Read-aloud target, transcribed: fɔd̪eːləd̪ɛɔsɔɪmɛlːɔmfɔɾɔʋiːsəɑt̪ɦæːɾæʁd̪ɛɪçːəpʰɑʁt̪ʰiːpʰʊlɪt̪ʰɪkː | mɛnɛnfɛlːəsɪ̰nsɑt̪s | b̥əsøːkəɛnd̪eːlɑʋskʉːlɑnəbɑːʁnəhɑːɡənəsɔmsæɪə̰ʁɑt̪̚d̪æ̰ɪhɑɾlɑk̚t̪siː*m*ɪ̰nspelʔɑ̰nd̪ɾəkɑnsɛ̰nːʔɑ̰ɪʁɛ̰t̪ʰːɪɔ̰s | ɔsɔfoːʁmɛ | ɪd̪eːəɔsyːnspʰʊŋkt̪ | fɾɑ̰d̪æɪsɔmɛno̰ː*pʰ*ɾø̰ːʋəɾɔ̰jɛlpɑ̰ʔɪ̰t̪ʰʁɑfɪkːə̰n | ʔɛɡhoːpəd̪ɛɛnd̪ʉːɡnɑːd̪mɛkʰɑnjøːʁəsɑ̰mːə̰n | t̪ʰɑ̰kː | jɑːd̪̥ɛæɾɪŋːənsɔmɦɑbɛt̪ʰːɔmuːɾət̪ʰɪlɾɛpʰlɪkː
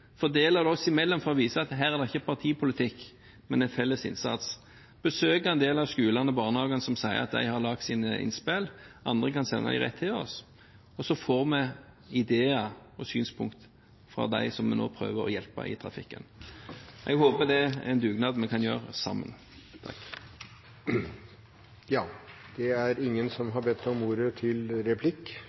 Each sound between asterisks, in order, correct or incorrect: incorrect: n, correct

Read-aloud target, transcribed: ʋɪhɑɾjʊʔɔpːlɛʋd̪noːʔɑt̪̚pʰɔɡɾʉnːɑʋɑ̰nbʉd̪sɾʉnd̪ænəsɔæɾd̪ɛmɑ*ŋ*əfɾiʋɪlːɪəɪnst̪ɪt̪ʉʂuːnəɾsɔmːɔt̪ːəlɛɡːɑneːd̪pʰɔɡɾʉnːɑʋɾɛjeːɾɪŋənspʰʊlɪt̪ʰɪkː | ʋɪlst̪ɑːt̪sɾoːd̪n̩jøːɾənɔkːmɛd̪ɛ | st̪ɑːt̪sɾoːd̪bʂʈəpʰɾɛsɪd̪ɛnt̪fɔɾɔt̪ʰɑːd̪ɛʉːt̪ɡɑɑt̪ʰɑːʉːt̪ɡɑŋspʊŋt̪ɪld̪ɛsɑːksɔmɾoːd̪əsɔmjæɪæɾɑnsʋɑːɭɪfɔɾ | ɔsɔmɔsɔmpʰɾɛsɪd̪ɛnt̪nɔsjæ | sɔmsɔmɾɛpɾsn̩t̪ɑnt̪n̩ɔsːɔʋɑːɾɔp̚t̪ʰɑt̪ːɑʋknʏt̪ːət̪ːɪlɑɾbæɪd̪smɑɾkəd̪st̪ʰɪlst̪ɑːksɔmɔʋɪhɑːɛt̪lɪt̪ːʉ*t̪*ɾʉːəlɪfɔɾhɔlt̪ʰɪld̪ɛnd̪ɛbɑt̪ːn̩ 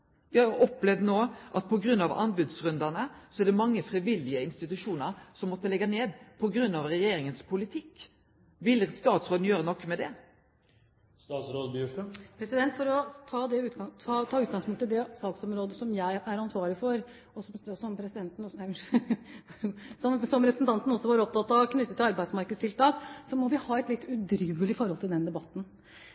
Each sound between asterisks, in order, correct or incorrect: incorrect: ŋː, incorrect: d̪

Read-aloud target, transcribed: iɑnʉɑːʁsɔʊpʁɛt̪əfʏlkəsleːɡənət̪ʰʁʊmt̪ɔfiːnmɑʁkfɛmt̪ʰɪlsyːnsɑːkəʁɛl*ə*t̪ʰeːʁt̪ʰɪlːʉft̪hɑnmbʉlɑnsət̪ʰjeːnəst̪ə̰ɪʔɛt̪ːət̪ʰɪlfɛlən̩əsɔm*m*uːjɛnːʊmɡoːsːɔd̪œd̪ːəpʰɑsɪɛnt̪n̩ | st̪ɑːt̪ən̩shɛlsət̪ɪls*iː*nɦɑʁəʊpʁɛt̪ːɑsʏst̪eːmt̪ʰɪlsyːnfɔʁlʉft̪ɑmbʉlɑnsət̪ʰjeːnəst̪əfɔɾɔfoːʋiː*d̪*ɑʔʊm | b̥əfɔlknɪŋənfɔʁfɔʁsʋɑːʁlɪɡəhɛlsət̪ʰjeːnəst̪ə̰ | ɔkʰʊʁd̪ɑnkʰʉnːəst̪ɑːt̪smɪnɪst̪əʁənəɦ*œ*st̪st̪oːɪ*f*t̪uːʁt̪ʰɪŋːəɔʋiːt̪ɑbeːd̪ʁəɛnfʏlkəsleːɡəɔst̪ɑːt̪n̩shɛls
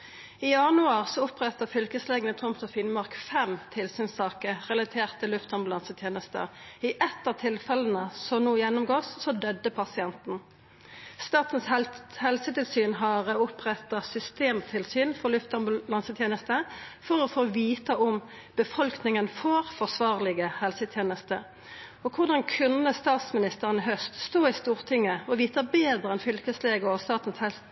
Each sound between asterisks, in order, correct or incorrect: incorrect: ɑ, incorrect: n, incorrect: yː, incorrect: t̪, correct, incorrect: s

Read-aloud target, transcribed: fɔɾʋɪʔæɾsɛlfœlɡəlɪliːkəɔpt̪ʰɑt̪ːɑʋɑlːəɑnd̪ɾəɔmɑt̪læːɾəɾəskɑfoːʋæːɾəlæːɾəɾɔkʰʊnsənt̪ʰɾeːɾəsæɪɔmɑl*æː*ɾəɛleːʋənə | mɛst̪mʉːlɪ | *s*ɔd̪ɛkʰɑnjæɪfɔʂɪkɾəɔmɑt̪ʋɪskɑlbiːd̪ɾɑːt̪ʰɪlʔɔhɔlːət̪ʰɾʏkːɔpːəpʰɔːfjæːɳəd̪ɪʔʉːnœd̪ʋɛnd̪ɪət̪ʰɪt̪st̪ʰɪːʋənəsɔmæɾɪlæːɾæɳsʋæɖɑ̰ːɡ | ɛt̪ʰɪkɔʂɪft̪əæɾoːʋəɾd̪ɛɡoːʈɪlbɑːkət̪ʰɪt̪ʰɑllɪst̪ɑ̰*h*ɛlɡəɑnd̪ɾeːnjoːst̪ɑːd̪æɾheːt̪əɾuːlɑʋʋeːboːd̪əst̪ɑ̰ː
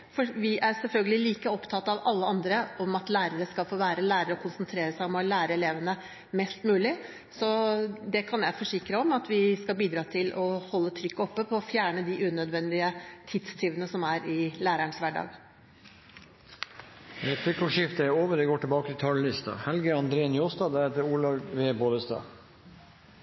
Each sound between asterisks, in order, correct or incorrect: correct, correct, correct

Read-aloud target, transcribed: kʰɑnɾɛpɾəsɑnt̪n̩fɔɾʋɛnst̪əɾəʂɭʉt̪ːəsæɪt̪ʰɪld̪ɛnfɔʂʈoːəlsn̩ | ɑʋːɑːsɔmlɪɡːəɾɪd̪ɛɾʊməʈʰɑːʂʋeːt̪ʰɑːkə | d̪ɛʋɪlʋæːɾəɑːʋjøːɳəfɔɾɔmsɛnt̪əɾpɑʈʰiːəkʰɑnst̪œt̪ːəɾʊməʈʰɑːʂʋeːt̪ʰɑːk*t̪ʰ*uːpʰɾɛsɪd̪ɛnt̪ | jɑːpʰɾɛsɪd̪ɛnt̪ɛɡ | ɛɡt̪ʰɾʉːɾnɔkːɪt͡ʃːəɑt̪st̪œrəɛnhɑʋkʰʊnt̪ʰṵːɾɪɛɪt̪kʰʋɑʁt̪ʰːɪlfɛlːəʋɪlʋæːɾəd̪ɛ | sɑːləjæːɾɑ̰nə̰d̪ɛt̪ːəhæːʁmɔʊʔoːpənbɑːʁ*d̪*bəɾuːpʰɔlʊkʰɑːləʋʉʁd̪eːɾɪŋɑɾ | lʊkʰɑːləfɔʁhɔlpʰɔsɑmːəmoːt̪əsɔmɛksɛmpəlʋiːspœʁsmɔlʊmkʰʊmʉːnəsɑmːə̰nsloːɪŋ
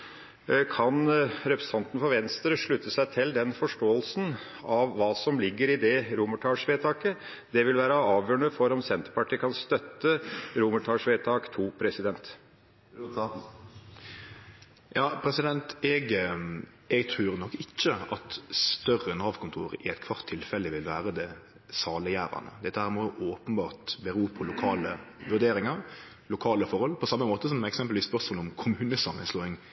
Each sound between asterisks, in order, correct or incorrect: correct, incorrect: t̪

